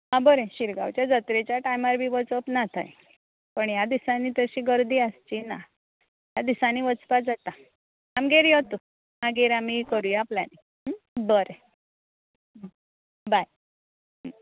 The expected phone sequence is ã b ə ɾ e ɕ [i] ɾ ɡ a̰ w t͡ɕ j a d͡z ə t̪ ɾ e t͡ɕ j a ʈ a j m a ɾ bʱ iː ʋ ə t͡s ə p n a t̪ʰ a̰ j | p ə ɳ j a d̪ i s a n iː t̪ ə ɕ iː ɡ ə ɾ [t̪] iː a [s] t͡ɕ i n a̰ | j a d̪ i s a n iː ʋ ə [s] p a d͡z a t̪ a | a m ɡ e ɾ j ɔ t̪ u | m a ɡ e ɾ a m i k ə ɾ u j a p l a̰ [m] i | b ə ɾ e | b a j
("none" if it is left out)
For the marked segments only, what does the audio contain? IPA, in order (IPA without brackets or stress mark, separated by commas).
i, d̪, s, t͡s, n